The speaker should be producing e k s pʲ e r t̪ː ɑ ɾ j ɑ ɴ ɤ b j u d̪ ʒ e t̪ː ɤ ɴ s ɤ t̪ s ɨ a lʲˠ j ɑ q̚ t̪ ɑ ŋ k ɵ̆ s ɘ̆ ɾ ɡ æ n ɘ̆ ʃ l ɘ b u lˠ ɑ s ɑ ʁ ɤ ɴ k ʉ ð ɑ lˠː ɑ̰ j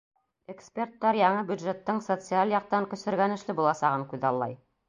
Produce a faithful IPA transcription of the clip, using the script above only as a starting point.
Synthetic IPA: e k s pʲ e r t̪ː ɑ ɾ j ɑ ɴ ɤ b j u d̪ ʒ e t̪ː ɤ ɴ s o t̪ s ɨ a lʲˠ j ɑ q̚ t̪ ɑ ŋ k ɵ̆ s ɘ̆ ɾ ɡ æ n ɘ̆ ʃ l ɘ b u lˠ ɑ s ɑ ʁ ɤ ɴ k ʉ ð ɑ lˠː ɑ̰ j